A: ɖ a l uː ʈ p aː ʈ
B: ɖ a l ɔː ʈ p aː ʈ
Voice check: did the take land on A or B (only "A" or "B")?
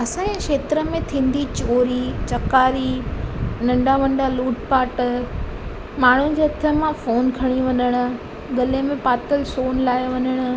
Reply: A